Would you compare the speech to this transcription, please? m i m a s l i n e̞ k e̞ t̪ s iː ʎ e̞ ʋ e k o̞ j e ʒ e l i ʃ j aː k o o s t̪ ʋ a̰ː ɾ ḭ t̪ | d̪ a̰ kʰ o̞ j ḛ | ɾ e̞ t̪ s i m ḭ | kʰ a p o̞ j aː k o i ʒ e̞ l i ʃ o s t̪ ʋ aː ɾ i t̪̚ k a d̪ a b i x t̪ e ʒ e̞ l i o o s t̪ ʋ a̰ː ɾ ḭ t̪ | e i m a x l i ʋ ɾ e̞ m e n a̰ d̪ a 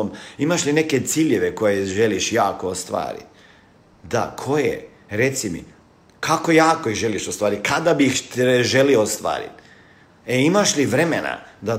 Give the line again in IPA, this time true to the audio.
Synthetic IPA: m i m a ʃ l i n e̞ k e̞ t̪ s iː ʎ e̞ ʋ e k o̞ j e ʒ e l i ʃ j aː k o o s t̪ ʋ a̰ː ɾ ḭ t̪ | d̪ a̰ kʰ o̞ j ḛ | ɾ e̞ t̪ s i m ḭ | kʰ a k o̞ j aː k o i ʒ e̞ l i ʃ o s t̪ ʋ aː ɾ i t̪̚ k a d̪ a b i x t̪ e ʒ e̞ l i o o s t̪ ʋ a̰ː ɾ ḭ t̪ | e i m a ʃ l i ʋ ɾ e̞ m e n a̰ d̪ a